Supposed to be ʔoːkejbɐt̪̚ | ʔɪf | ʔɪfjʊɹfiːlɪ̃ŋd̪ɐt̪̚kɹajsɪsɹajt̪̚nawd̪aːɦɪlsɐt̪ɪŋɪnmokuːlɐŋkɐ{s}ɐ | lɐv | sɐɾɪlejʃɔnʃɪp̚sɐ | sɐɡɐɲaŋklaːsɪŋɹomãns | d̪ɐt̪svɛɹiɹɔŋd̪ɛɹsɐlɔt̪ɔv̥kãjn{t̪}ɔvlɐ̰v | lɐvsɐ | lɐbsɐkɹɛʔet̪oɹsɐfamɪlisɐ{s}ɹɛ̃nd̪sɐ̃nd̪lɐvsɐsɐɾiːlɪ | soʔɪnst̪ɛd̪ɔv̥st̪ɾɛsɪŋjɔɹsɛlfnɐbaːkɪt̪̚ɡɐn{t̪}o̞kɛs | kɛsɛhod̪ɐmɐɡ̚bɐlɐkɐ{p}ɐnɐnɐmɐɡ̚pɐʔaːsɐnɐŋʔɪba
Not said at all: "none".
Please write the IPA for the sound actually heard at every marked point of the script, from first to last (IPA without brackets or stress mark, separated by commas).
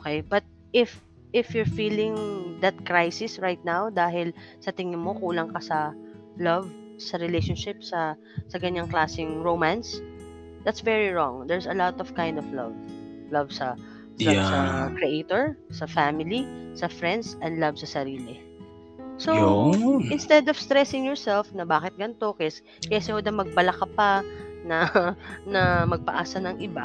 s, d̪, f, t̪, p